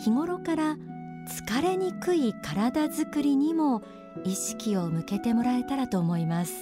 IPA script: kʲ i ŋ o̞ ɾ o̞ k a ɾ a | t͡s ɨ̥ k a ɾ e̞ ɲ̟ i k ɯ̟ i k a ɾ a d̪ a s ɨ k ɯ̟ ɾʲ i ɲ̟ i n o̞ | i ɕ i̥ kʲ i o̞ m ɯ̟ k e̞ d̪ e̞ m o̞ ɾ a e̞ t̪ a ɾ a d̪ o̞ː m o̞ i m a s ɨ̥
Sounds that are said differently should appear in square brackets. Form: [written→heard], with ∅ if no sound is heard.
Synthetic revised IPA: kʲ i ŋ o̞ ɾ o̞ k a ɾ a | t͡s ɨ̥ k a ɾ e̞ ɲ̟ i k ɯ̟ i k a ɾ a d̪ a [s→z] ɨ k ɯ̟ ɾʲ i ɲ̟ i [n→m] o̞ | i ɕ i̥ kʲ i o̞ m ɯ̟ k e̞ [d̪→t̪] e̞ m o̞ ɾ a e̞ t̪ a ɾ a [d̪→t̪] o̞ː m o̞ i m a s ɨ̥